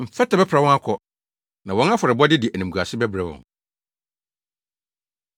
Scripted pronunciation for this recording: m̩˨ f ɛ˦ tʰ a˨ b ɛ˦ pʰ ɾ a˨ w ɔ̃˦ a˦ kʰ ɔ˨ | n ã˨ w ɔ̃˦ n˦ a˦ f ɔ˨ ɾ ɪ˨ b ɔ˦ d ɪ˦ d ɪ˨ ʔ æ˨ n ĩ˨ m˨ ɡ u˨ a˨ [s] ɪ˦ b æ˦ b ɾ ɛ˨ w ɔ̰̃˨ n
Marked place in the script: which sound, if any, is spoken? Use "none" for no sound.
s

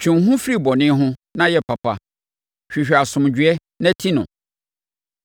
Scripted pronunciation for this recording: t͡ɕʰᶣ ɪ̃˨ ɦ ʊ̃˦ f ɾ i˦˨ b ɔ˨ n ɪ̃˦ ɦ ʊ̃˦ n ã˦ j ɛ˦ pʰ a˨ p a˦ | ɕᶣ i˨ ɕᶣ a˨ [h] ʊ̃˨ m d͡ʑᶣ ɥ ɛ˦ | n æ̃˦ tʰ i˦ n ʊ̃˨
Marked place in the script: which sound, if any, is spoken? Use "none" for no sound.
s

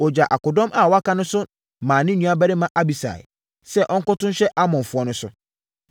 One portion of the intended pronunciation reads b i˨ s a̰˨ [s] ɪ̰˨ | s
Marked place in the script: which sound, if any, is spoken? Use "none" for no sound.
none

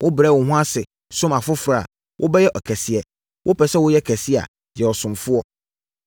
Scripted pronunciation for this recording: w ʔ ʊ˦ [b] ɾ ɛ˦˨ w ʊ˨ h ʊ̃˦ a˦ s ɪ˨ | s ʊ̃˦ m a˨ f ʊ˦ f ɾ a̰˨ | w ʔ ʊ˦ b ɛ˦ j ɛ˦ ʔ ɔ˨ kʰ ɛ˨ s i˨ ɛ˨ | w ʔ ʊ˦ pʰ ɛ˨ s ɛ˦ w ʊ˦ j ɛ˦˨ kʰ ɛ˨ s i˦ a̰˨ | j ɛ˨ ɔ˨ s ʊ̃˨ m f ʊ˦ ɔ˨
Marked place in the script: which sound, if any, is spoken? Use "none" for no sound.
b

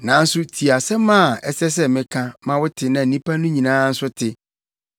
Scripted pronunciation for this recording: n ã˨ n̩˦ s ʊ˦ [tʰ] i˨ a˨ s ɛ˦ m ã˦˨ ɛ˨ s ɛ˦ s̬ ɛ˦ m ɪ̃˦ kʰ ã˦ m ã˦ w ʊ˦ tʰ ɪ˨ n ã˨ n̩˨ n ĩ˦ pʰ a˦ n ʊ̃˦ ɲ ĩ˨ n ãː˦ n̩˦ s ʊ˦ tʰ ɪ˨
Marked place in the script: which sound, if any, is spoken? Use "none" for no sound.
tʰ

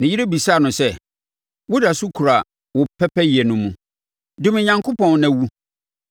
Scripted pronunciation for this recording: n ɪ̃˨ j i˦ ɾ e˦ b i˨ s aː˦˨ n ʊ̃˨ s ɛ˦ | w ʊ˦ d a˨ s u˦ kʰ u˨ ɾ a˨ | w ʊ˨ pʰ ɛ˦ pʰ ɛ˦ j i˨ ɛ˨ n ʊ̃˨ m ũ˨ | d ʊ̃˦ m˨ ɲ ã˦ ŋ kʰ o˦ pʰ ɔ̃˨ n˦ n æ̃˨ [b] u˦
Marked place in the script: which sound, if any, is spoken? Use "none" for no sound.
w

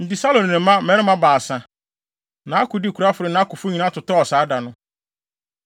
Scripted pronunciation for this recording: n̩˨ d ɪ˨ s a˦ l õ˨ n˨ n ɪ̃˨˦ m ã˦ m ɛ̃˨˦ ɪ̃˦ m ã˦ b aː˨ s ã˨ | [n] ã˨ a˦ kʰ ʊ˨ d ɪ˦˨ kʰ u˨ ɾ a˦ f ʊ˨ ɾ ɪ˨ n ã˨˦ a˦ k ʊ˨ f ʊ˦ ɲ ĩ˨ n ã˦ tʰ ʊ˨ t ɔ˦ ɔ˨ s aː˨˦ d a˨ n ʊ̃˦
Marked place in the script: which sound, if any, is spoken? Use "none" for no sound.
n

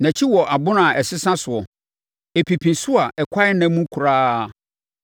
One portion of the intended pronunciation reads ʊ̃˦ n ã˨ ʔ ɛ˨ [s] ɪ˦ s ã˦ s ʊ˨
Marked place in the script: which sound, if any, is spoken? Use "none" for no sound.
s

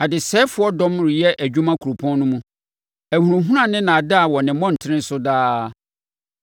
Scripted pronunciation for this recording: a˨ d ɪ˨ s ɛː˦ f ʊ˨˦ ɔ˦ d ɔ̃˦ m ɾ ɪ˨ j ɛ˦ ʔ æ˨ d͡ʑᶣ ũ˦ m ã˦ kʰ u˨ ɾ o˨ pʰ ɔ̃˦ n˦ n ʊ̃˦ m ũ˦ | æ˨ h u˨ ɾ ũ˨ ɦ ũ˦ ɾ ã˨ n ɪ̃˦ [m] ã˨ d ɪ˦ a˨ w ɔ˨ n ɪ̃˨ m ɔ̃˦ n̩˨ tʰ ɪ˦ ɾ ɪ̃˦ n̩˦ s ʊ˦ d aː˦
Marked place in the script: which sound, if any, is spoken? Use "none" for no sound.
n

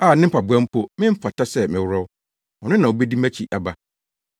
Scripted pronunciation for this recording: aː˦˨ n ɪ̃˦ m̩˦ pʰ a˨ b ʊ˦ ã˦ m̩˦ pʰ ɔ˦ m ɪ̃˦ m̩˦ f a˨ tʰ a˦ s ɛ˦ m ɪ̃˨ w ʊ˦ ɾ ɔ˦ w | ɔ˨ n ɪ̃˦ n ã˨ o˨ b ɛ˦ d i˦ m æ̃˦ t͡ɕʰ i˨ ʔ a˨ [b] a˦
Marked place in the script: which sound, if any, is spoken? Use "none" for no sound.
b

